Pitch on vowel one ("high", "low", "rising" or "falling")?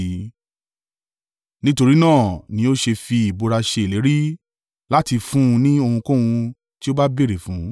high